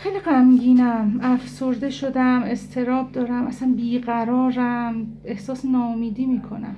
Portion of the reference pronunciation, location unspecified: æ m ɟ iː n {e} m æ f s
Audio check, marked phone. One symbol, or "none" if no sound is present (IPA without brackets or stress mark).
æ